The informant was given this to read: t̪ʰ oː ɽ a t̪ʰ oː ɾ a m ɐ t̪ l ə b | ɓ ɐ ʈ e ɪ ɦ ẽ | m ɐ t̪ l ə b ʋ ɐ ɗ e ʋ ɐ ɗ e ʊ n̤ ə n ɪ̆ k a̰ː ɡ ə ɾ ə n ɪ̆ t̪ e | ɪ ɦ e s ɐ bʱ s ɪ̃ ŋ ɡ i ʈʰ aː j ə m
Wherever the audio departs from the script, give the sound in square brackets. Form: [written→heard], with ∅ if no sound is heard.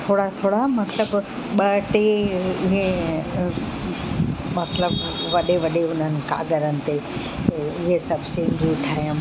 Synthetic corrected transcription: t̪ʰ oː ɽ a t̪ʰ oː [ɾ→ɽ] a m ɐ t̪ l ə b | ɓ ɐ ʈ e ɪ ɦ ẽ | m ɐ t̪ l ə b ʋ ɐ ɗ e ʋ ɐ ɗ e ʊ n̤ ə n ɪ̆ k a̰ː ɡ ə ɾ ə n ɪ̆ t̪ e | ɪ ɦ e s ɐ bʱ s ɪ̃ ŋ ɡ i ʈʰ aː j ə m